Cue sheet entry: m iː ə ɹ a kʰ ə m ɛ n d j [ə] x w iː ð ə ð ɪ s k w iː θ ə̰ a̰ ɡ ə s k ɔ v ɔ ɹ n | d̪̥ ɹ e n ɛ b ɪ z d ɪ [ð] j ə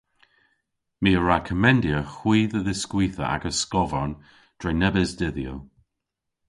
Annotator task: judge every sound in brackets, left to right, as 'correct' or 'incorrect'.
correct, correct

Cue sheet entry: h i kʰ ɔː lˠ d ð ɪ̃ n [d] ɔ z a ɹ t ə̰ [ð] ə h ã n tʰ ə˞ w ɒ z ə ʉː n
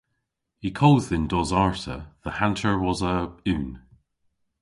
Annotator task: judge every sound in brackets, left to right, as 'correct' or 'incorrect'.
correct, correct

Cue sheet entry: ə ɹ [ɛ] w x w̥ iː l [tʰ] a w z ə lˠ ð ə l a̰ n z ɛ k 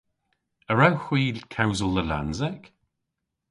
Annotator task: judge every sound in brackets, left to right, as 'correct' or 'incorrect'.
incorrect: a, incorrect: kʰ

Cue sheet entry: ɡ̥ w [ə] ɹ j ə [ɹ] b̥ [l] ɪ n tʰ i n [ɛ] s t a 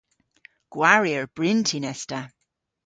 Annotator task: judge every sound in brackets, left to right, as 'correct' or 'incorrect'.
incorrect: a, correct, incorrect: ɹ, correct

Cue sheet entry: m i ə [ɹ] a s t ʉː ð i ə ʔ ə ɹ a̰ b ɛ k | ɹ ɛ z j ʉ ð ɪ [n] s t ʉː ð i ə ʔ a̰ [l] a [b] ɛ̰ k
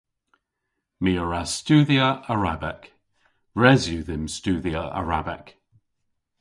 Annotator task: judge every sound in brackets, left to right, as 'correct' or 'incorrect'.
correct, incorrect: m, incorrect: ɹ, correct

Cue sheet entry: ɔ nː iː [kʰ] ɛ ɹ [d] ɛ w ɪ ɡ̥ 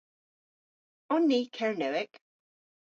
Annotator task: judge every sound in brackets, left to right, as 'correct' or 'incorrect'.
correct, incorrect: n

